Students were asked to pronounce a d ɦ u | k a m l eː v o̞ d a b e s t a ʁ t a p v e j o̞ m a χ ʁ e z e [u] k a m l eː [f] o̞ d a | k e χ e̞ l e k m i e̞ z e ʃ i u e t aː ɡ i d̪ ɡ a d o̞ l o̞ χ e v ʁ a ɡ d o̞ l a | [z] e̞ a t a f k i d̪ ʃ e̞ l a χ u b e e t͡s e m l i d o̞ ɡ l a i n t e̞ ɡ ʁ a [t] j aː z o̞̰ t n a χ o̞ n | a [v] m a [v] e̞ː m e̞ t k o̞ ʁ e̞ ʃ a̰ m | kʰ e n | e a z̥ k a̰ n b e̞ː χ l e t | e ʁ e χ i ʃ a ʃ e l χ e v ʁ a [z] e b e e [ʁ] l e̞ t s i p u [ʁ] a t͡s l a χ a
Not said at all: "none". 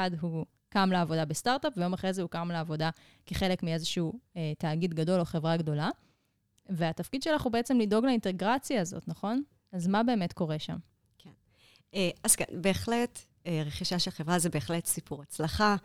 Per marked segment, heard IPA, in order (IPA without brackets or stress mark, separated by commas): u, v, v, t͡s, z, b, z, χ, ʁ